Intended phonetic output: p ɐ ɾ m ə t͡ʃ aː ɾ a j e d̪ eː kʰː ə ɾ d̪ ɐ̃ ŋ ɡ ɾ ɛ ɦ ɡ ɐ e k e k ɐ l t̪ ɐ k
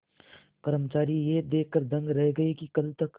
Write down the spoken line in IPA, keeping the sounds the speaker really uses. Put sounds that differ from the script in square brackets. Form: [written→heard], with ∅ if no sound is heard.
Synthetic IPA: p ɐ ɾ m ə t͡ʃ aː ɾ [a→i] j e d̪ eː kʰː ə ɾ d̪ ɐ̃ ŋ ɡ ɾ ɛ ɦ ɡ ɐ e k [e→i] k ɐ l t̪ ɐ k